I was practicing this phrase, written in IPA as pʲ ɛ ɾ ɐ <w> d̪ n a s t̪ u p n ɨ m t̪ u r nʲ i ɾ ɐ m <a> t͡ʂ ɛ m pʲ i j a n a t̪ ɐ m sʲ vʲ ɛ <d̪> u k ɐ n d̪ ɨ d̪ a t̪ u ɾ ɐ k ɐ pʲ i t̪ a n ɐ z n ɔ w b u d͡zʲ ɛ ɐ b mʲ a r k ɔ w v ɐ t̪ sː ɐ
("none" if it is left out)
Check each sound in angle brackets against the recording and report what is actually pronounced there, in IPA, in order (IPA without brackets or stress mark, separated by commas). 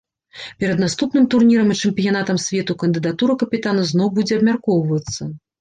none, i, t̪